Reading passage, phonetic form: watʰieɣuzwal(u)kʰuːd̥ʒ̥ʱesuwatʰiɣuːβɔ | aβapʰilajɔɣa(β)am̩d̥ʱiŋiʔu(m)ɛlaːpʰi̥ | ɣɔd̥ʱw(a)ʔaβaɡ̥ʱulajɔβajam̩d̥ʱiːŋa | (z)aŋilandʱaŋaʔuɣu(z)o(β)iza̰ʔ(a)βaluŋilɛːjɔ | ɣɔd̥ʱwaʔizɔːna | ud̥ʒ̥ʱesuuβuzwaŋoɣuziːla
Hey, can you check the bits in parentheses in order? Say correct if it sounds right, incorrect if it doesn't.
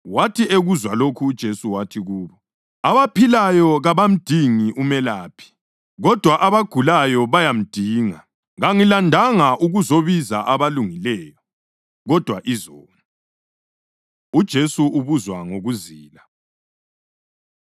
incorrect: o, correct, correct, correct, incorrect: ɣ, correct, correct, correct

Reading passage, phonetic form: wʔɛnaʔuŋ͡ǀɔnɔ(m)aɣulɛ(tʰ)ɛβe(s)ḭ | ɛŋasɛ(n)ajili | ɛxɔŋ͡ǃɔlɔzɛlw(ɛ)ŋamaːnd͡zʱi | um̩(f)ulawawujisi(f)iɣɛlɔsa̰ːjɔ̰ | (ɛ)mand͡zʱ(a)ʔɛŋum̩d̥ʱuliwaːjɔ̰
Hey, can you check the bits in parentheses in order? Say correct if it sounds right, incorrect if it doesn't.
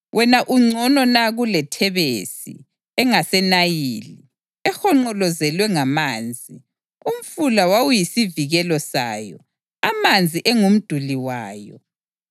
incorrect: n, correct, correct, correct, correct, correct, incorrect: v, incorrect: a, incorrect: i

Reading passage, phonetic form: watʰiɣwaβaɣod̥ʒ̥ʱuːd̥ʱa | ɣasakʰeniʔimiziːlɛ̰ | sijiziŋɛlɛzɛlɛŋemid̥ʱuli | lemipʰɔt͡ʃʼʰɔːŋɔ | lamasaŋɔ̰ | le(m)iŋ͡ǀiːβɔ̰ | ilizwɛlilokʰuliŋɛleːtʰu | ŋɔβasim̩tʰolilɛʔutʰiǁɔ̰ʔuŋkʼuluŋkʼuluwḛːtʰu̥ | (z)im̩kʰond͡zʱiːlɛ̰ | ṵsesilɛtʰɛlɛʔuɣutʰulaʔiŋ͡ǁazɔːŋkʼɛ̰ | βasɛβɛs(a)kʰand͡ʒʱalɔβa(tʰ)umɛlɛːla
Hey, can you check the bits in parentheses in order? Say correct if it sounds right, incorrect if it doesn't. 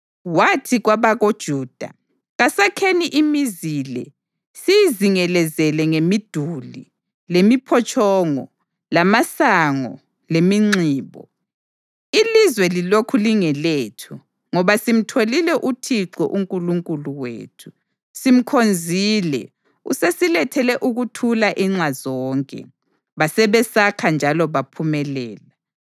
correct, incorrect: s, correct, incorrect: pʰ

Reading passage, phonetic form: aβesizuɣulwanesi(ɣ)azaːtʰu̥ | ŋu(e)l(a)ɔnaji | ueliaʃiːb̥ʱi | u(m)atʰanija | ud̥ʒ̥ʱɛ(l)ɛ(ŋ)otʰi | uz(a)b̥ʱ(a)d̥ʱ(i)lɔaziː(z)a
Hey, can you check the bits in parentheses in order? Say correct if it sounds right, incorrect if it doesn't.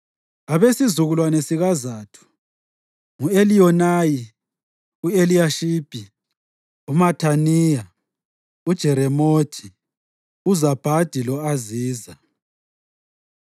correct, correct, incorrect: i, correct, incorrect: ɾ, incorrect: m, correct, correct, correct, correct

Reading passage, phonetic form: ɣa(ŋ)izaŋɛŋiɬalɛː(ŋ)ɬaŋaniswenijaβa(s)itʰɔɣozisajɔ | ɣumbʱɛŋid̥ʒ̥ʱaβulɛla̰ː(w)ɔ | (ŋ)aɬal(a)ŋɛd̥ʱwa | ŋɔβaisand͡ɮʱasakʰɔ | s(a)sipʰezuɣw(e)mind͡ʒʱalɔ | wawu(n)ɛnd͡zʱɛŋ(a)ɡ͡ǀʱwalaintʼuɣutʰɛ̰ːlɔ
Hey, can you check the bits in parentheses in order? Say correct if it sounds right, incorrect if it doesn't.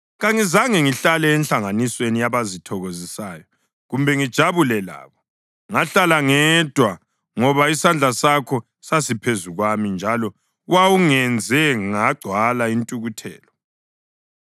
correct, incorrect: n, incorrect: z, incorrect: β, correct, correct, correct, incorrect: a, incorrect: ŋ, correct

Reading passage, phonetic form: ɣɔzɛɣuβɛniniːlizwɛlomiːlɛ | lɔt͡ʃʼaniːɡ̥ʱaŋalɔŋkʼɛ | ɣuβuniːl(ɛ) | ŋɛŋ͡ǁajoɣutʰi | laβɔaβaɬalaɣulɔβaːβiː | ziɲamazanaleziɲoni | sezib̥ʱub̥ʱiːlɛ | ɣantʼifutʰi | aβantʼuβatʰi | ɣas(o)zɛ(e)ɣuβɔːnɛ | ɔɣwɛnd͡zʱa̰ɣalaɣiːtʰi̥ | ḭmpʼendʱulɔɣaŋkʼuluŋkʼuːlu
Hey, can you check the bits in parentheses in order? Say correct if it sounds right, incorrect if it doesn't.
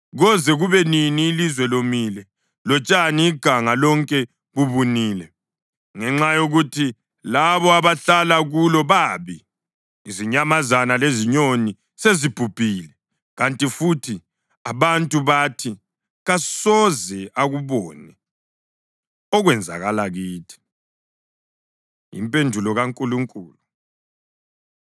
correct, incorrect: ɔ, incorrect: a

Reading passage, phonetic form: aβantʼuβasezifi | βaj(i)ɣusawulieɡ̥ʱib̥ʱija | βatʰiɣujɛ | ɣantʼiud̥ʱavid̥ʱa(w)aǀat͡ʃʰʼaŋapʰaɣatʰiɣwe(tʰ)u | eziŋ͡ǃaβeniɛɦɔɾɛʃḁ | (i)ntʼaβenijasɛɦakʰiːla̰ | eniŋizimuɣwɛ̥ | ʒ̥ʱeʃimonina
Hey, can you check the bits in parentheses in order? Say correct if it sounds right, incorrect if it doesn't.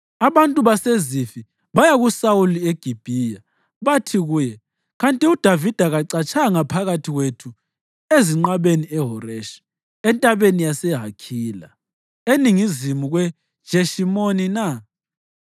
incorrect: a, incorrect: ɣ, correct, incorrect: ɛ

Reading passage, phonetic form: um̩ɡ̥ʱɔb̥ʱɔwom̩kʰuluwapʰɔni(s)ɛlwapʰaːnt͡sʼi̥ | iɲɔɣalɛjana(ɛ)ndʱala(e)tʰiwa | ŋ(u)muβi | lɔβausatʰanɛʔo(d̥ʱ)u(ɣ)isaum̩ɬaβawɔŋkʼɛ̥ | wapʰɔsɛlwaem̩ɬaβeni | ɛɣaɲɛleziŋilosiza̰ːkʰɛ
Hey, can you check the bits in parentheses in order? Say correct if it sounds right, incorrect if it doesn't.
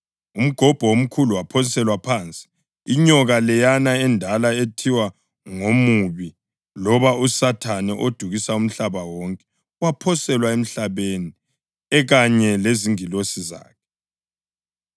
correct, correct, correct, incorrect: o, correct, correct

